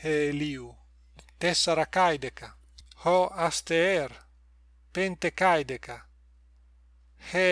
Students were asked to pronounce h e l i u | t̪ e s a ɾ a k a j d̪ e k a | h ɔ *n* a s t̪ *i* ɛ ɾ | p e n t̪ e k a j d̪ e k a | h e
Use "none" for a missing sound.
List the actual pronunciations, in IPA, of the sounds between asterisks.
none, e

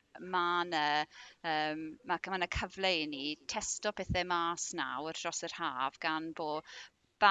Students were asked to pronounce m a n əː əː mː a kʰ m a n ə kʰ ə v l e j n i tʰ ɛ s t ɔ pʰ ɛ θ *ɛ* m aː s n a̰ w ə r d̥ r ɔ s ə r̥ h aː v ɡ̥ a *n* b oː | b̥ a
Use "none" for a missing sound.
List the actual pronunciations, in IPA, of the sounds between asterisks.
ɛ, n

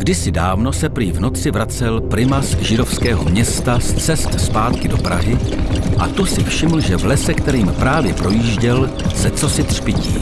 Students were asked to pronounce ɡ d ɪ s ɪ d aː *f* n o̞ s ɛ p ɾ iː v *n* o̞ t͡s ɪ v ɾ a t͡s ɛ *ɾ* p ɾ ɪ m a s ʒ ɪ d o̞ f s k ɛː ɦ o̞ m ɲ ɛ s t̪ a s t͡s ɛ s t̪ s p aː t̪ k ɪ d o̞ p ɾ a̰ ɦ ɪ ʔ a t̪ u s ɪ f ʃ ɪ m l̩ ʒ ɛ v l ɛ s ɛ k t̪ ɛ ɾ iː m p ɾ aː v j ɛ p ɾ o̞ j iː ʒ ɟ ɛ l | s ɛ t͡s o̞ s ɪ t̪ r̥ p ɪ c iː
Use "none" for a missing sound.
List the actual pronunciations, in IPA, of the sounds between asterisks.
v, n, l

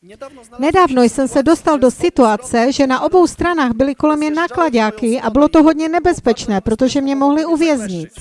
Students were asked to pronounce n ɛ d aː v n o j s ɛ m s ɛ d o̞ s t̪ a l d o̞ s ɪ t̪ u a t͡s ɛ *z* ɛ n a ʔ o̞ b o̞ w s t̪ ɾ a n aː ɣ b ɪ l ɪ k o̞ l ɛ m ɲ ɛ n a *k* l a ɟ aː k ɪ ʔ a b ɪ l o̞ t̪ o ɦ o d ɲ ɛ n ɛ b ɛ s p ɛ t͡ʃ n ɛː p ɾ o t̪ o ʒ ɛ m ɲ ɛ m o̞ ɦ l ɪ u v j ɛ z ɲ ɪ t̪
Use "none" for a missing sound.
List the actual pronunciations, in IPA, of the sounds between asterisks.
ʒ, k

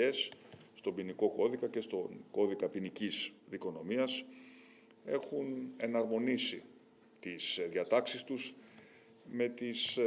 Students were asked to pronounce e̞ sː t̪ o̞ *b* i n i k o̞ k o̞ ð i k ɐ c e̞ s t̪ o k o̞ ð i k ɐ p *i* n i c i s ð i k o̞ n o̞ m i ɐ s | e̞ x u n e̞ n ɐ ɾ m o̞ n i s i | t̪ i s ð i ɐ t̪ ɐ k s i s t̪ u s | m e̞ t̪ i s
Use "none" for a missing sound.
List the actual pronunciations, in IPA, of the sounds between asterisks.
b, i

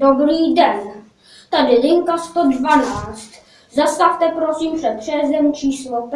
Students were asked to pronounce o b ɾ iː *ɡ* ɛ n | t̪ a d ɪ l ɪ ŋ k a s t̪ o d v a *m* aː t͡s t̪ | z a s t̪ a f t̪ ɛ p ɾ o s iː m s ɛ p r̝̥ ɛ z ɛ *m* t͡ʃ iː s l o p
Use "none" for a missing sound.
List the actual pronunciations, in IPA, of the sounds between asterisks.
d, n, m

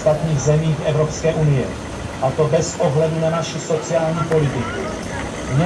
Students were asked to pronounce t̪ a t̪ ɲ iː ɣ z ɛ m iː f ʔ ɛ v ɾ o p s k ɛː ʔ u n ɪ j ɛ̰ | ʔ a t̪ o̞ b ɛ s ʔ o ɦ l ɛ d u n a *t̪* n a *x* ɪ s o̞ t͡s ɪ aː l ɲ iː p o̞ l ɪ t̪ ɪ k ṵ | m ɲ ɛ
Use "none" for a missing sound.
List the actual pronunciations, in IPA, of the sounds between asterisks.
none, ʃ

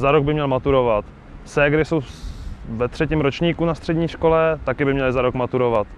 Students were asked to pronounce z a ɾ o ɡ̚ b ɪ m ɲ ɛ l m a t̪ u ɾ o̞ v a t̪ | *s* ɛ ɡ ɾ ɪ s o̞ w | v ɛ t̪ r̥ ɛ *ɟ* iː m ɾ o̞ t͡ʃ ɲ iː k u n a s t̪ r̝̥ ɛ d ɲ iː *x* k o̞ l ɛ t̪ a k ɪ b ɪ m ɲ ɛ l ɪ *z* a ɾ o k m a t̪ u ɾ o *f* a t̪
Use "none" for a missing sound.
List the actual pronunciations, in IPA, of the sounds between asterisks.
s, c, ʃ, z, v

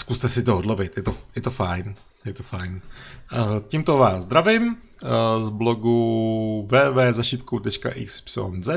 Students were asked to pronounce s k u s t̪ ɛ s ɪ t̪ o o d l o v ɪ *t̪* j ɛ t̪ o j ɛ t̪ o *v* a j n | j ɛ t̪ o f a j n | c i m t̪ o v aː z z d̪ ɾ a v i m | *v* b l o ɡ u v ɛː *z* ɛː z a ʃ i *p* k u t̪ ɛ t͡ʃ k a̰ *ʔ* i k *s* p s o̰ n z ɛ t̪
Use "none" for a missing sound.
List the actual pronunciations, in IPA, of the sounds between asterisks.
t̪, f, z, v, p, ʔ, s

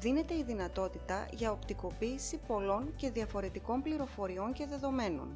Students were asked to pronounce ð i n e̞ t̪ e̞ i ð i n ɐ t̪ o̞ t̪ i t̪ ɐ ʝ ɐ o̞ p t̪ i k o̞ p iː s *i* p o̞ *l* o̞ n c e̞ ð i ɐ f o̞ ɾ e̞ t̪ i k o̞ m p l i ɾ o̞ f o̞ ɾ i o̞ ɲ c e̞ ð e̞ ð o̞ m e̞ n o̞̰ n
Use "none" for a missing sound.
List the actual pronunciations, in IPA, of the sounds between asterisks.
i, l

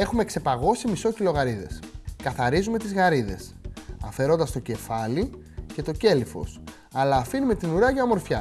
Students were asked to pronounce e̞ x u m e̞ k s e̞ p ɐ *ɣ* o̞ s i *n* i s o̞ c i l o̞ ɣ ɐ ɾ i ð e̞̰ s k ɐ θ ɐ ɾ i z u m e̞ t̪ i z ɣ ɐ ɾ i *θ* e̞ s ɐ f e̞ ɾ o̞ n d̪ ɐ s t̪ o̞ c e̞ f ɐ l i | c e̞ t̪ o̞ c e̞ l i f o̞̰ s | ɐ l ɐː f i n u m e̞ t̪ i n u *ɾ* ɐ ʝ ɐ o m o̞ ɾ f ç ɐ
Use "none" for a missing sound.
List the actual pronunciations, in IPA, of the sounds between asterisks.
ɣ, m, ð, ɾ

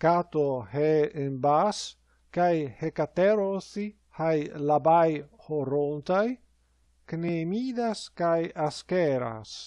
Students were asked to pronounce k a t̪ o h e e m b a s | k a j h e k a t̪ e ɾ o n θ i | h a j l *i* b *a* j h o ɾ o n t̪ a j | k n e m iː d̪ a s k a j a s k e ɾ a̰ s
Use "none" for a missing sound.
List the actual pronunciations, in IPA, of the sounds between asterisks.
a, a

